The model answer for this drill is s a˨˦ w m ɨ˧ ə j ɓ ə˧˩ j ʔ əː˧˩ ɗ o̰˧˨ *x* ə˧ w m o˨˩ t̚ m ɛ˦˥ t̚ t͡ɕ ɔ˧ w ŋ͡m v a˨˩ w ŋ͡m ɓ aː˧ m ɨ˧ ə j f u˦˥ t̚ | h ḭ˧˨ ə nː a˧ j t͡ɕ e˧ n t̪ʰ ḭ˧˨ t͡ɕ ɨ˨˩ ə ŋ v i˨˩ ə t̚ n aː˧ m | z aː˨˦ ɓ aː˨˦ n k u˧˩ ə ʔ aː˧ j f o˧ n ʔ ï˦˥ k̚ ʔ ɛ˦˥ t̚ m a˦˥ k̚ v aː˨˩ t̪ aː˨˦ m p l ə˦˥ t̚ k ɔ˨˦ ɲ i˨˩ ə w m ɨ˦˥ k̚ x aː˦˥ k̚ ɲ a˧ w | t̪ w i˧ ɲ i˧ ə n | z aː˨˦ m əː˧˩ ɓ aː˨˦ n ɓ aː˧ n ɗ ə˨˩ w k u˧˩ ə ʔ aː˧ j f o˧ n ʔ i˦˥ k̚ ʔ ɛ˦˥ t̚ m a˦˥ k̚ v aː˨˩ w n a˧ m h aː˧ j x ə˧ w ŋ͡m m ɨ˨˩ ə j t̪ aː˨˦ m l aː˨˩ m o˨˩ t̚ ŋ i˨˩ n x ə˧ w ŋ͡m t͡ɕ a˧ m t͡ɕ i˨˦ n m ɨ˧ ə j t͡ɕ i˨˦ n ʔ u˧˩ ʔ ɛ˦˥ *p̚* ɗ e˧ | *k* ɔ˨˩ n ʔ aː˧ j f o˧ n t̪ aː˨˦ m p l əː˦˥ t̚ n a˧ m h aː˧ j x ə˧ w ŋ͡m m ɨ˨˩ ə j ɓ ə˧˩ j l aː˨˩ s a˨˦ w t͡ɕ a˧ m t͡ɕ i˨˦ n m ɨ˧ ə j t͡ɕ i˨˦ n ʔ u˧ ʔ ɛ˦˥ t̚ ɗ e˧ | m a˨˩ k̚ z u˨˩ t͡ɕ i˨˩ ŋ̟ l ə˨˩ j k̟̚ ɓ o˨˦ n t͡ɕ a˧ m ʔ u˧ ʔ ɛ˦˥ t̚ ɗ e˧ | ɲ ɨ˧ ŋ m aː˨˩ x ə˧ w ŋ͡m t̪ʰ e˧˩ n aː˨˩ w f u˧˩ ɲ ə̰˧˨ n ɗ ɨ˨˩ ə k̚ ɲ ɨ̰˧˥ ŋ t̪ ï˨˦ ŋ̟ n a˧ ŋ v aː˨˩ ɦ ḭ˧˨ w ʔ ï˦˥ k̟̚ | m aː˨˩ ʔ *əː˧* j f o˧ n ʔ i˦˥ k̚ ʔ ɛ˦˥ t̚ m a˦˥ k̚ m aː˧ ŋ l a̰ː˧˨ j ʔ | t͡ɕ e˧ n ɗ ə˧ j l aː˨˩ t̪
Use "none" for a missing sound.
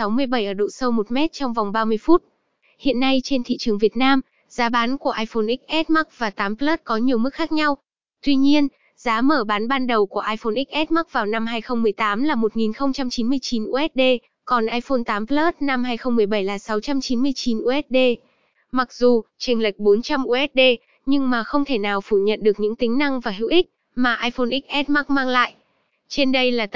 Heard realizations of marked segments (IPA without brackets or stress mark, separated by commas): s, t̚, k, aː˧